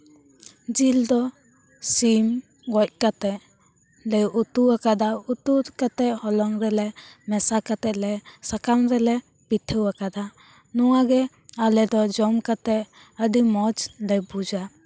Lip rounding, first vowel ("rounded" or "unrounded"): unrounded